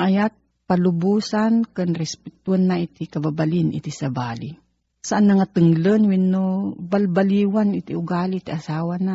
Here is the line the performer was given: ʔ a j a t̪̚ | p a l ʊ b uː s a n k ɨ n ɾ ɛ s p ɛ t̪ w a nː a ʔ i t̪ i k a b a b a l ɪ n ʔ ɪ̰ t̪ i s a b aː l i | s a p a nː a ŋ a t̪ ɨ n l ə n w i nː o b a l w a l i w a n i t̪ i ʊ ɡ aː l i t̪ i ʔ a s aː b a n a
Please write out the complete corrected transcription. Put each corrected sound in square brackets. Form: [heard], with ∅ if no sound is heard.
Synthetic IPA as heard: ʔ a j a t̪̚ | p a l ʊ b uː s a n k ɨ n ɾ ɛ s p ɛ t̪ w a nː a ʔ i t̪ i k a b a b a l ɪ n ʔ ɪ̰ t̪ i s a b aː l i | s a [ʔ] a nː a ŋ a t̪ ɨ [ŋ] l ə n w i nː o b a l [b] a l i w a n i t̪ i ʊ ɡ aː l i t̪ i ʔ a s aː [w] a n a